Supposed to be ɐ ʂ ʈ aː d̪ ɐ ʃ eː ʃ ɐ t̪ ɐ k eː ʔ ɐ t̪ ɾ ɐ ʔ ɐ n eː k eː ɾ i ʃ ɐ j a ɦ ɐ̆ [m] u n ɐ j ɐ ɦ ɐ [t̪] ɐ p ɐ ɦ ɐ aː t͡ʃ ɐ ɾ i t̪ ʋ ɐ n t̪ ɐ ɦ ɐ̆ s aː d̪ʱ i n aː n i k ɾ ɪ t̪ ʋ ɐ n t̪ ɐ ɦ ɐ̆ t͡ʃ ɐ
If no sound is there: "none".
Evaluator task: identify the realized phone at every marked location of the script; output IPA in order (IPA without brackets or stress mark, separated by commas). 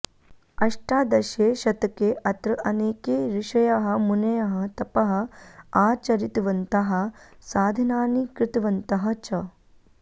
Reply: m, t̪